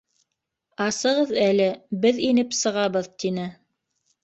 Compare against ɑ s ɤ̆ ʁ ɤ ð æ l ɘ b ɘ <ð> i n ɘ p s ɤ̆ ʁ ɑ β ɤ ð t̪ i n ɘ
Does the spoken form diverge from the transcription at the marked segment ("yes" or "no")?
no